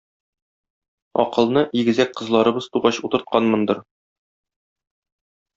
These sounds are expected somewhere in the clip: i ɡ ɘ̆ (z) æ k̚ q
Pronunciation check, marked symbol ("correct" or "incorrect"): correct